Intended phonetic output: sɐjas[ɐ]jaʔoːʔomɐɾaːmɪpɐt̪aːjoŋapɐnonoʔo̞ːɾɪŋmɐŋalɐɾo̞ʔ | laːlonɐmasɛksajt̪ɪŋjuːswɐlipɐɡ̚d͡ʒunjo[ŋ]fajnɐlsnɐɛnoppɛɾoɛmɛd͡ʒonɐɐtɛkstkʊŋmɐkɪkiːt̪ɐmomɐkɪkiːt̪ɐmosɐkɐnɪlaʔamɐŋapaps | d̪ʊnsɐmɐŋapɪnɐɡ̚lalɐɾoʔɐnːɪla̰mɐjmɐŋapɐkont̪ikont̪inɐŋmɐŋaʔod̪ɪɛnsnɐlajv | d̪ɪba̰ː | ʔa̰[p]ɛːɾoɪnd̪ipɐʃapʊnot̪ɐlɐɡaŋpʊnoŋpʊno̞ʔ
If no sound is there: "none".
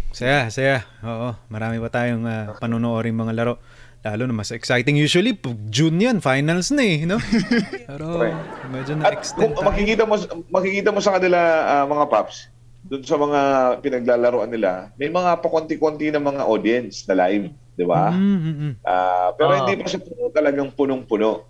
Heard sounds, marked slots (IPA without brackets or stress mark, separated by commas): ɐ, n, p